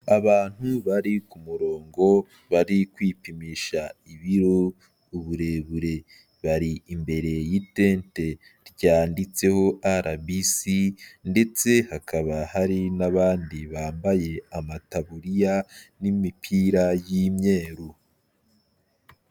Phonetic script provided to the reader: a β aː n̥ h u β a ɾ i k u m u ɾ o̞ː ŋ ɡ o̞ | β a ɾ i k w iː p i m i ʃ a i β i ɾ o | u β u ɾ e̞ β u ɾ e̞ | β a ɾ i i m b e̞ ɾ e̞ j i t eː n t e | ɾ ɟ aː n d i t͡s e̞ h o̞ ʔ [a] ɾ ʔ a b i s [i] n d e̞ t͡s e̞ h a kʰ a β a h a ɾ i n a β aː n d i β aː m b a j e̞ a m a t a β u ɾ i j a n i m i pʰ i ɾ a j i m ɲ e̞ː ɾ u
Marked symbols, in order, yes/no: yes, yes

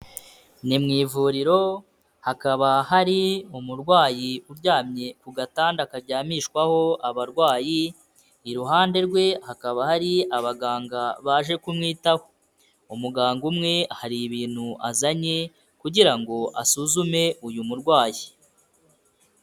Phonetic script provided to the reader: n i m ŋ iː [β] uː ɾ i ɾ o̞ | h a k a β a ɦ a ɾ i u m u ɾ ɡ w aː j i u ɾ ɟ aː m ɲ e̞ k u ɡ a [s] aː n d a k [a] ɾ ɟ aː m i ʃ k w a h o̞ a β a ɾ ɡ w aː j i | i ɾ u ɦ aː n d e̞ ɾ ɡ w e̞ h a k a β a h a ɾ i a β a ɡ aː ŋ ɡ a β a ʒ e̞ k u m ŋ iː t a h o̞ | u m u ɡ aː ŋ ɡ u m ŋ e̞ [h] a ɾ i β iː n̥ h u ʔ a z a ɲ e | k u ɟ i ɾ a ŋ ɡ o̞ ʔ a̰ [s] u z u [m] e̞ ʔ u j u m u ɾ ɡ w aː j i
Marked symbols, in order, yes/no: no, no, yes, yes, yes, yes

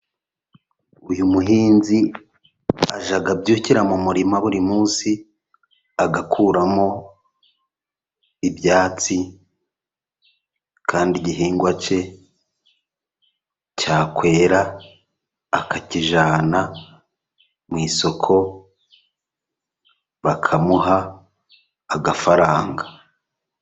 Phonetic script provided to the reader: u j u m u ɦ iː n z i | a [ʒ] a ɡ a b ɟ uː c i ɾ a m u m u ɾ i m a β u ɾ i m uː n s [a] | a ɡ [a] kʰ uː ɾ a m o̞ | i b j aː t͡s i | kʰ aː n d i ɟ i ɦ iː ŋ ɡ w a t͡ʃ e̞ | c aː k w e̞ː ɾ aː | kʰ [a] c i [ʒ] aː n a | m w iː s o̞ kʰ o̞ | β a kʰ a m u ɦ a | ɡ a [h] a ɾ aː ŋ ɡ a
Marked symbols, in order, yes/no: yes, no, yes, yes, yes, no

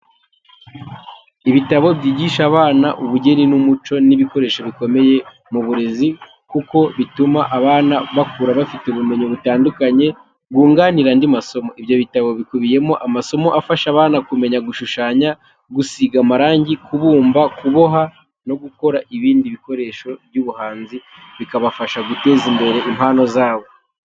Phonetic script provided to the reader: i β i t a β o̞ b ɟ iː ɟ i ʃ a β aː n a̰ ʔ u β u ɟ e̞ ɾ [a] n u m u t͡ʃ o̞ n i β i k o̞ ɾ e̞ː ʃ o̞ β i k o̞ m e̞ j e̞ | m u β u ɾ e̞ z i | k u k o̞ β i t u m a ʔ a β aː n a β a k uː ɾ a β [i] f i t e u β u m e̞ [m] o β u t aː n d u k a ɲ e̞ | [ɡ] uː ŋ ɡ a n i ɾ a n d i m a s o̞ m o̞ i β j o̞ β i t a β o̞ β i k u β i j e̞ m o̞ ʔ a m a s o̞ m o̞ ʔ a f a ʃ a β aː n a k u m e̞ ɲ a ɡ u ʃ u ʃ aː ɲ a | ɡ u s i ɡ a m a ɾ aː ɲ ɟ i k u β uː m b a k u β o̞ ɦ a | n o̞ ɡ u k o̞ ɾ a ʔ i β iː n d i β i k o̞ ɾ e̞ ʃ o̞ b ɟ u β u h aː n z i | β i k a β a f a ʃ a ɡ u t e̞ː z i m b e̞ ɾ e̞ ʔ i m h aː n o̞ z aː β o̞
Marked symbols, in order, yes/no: no, no, no, yes

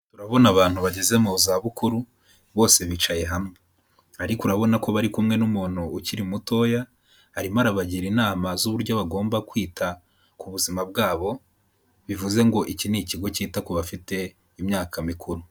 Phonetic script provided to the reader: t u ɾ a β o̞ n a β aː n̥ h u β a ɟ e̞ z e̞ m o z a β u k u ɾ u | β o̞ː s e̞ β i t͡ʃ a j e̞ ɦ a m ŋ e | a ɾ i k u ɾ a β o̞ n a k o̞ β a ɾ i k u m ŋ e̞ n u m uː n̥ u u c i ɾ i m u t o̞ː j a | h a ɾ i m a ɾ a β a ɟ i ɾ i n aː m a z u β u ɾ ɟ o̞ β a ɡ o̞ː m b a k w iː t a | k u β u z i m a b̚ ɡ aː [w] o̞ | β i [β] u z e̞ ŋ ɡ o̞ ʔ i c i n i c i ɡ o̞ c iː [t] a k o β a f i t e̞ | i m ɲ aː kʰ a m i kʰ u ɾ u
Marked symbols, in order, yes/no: no, no, yes

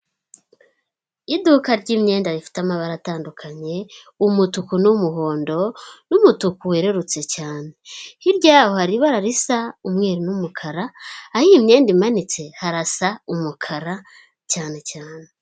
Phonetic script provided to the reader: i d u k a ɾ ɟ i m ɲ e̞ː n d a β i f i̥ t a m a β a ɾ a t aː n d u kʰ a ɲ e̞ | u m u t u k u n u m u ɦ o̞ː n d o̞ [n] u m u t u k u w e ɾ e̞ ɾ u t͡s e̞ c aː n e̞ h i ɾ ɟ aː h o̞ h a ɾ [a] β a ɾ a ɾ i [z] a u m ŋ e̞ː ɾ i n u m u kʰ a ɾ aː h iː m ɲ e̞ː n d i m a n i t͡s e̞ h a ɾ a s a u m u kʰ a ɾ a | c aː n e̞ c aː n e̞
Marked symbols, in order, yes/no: yes, no, no

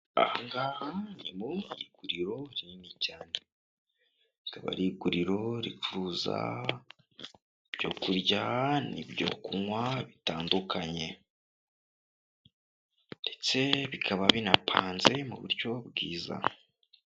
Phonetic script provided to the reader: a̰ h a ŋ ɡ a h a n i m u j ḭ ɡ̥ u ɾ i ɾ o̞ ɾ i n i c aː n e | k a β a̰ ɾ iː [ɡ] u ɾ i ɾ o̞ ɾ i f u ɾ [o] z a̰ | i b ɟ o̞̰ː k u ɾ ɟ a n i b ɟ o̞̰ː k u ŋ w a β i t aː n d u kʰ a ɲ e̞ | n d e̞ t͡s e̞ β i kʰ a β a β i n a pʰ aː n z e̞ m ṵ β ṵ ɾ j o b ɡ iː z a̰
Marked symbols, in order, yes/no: yes, no

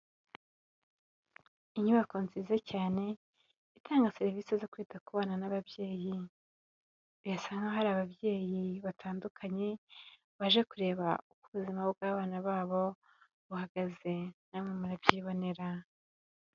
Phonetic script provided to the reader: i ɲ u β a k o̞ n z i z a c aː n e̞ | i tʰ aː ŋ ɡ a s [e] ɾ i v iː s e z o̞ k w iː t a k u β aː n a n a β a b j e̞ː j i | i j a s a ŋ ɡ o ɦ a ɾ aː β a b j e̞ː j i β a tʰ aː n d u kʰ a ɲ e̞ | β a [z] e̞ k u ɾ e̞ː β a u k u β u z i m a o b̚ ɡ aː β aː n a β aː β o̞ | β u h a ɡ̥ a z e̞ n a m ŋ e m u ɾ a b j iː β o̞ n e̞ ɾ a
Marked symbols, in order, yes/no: yes, no

